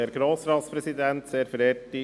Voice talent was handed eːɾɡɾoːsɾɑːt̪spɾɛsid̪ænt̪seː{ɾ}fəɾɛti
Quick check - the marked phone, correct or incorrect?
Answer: correct